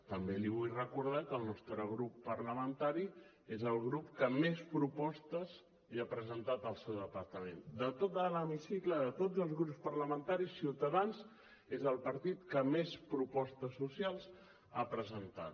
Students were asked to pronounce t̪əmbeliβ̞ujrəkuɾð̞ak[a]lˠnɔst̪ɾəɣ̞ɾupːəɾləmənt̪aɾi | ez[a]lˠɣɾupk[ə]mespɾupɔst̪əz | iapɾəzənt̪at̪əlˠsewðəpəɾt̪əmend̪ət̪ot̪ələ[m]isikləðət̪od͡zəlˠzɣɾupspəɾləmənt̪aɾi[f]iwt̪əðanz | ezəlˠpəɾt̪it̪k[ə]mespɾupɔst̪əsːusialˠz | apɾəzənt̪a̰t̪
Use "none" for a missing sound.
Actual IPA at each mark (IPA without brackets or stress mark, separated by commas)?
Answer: ə, ə, ə, m, s, ə